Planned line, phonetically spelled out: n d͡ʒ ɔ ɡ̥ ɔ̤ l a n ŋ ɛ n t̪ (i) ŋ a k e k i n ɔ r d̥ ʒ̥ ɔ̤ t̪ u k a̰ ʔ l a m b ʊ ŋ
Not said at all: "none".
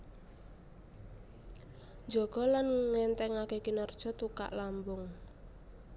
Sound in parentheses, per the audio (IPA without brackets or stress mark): ɛ